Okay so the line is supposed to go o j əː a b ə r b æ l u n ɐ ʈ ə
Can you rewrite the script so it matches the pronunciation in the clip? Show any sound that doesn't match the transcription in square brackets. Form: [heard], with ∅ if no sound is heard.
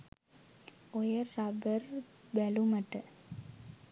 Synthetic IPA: o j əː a b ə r b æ l u [m] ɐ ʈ ə